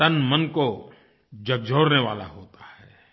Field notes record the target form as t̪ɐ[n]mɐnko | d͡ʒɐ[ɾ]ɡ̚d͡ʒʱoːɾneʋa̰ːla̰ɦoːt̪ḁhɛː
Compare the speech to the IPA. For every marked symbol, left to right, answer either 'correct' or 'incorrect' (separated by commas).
correct, incorrect